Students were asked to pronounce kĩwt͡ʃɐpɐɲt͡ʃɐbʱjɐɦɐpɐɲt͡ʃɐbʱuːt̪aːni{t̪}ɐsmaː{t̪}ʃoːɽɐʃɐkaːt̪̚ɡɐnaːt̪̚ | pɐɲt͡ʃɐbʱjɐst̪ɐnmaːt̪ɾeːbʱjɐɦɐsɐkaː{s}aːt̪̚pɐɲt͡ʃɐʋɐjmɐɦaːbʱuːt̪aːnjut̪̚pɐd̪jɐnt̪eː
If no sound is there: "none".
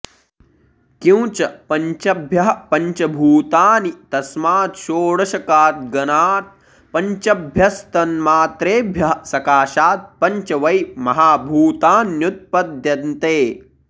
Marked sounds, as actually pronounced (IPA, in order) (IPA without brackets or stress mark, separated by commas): t̪, t̪, ʃ